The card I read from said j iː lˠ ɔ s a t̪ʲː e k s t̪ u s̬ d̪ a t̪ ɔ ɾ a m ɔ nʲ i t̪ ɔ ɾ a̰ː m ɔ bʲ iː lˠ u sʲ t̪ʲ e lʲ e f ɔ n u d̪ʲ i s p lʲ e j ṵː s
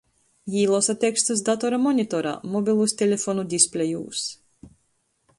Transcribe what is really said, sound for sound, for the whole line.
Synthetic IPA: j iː lˠ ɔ s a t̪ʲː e k s t̪ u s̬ d̪ a t̪ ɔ ɾ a m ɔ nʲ i t̪ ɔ ɾ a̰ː m ɔ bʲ i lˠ u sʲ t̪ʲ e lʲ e f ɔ n u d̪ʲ i s p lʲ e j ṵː s

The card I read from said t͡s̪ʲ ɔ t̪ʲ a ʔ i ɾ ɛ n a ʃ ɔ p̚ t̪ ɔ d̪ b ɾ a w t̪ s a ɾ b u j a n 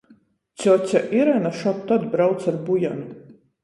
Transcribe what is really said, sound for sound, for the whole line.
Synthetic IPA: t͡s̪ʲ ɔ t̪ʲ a ʔ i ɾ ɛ n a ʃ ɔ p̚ t̪ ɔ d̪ b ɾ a w t̪ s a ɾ b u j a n

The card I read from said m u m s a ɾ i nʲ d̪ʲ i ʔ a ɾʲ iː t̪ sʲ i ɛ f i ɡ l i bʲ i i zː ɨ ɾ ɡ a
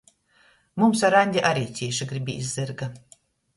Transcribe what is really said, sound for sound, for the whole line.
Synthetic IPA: m u m s a ɾ a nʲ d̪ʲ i ʔ a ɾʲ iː t̪ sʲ i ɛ ʃ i ɡ ɾ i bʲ i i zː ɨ ɾ ɡ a

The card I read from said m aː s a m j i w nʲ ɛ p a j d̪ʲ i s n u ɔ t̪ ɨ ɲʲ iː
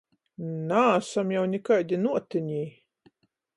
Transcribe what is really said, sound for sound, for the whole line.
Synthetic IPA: n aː s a m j a w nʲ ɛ k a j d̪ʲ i n u ɔ t̪ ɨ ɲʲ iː

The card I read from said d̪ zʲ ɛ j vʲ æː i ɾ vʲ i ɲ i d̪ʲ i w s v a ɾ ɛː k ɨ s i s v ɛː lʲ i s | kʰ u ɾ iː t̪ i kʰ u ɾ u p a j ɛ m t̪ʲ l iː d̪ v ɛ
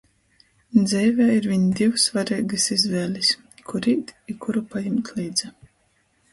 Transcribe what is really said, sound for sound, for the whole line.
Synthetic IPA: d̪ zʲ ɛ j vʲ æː i ɾ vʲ i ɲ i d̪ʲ i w s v a ɾ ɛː ɡ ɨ s i z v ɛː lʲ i s | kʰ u ɾ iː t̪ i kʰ u ɾ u p a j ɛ m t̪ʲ l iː d̪ z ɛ

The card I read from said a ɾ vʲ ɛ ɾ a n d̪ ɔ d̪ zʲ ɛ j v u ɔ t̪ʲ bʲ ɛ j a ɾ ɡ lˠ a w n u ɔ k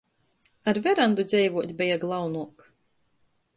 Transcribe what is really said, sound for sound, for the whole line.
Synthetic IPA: a ɾ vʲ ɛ ɾ a n d̪ u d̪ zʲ ɛ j v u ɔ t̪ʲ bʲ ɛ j a ɡ lˠ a w n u ɔ k

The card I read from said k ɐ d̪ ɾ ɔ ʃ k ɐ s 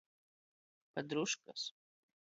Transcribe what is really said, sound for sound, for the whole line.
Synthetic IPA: p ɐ d̪ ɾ u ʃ k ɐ s

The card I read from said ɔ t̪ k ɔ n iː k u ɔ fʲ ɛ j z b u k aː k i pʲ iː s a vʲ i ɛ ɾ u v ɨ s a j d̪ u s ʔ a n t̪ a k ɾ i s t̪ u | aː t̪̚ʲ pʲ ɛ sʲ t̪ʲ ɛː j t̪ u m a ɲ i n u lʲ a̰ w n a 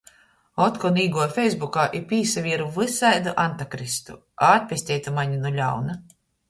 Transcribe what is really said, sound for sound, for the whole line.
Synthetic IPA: ɔ t̪ k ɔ n iː ɡ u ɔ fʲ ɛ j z b u k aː ʔ i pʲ iː s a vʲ i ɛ ɾ u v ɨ s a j d̪ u ʔ a n t̪ a k ɾ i s t̪ u | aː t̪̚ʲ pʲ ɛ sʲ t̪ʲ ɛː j t̪ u m a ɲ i n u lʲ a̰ w n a

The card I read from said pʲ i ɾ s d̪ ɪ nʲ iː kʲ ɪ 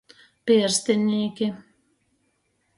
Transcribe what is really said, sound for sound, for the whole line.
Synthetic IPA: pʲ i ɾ s t̪ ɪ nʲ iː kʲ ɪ

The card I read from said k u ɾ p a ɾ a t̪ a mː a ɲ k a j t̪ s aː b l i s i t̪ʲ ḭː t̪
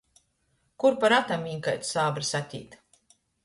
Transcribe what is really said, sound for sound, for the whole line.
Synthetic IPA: k u ɾ p a ɾ a t̪ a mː i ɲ k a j t̪ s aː b ɾ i s a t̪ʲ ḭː t̪

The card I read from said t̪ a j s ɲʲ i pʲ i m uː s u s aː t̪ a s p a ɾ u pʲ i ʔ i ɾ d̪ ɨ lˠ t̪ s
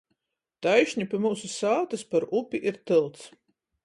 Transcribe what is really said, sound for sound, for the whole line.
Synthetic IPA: t̪ a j ʃ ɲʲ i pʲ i m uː s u s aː t̪ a s p a ɾ u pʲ i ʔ i ɾ t̪ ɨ lˠ t̪ s

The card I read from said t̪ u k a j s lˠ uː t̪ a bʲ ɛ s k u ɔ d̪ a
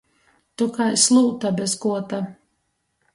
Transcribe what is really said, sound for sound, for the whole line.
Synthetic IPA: t̪ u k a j s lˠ uː t̪ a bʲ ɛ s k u ɔ t̪ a

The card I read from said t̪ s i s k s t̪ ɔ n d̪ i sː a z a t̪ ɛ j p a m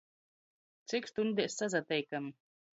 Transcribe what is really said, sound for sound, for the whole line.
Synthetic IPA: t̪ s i k s t̪ u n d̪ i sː a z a t̪ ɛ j k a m

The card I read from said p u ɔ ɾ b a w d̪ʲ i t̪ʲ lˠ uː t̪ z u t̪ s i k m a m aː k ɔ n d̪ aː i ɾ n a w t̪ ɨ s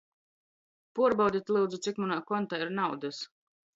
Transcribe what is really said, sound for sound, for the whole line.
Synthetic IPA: p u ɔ ɾ b a w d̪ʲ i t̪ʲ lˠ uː d̪ z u t̪ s i k m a n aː k ɔ n t̪ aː i ɾ n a w d̪ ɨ s

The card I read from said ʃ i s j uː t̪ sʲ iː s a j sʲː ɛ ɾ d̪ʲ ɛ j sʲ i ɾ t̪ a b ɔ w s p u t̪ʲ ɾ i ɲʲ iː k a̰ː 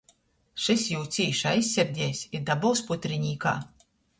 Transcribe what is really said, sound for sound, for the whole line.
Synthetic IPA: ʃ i s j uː t̪ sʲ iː ʃ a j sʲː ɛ ɾ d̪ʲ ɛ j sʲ i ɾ d̪ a b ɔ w s p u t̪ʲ ɾ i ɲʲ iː k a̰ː

